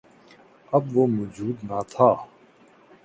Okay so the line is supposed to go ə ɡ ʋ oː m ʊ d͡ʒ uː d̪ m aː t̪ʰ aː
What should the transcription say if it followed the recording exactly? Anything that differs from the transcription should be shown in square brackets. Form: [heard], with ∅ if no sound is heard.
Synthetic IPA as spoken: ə [b] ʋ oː m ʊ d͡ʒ uː d̪ [n] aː t̪ʰ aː